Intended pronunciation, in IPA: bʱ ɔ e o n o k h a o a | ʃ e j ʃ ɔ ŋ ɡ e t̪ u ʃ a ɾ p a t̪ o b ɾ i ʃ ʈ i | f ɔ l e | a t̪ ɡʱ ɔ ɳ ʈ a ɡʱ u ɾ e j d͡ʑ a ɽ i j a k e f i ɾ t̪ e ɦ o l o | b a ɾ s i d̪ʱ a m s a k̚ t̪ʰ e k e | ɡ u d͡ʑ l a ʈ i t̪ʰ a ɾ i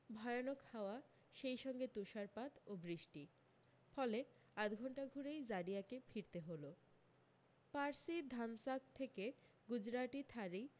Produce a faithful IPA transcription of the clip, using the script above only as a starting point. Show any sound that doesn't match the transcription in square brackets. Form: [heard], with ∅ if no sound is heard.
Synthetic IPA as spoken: bʱ ɔ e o n o k h a o a | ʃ e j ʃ ɔ ŋ ɡ e t̪ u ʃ a ɾ p a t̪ o b ɾ i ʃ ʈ i | f ɔ l e | a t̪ ɡʱ ɔ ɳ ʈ a ɡʱ u ɾ e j d͡ʑ a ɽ i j a k e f i ɾ t̪ e ɦ o l o | [p] a ɾ s i d̪ʱ a m s a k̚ t̪ʰ e k e | ɡ u d͡ʑ [ɾ] a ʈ i t̪ʰ a ɾ i